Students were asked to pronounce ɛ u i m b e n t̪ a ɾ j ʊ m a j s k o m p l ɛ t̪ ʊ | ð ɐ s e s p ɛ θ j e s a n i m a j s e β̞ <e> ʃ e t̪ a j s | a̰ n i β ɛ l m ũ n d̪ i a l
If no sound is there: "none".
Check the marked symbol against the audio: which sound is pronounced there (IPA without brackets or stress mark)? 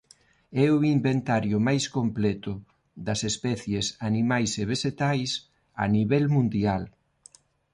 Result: e